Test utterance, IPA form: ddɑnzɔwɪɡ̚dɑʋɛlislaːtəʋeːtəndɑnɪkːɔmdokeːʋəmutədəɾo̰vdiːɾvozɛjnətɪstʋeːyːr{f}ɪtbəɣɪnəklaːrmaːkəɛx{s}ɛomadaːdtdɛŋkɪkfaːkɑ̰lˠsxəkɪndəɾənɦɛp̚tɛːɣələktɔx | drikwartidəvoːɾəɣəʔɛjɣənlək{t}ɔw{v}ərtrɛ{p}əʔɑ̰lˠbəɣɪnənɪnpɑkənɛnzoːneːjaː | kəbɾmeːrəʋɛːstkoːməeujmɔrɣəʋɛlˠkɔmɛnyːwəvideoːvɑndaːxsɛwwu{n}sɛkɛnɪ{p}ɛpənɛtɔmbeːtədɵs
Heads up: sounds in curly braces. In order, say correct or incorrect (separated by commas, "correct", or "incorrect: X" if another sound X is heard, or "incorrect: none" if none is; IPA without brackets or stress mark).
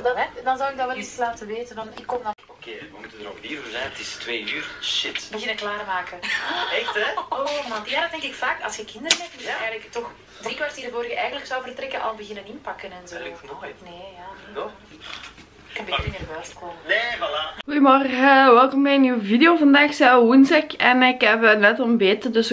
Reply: incorrect: ʃ, incorrect: t, incorrect: s, correct, incorrect: k, correct, incorrect: k